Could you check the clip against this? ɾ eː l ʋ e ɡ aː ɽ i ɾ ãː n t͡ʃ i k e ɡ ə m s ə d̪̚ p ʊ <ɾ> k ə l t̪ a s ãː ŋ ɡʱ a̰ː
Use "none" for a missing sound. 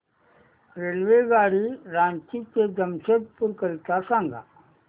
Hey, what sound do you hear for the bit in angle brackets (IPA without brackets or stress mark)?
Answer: ɾ